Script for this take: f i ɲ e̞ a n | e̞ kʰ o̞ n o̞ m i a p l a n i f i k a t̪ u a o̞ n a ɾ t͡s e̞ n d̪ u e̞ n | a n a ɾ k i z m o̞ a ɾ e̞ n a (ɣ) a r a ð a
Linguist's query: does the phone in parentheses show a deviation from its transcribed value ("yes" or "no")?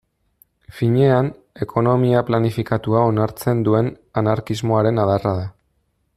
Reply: yes